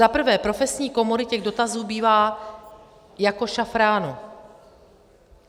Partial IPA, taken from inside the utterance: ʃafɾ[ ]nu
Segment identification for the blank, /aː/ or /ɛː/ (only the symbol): aː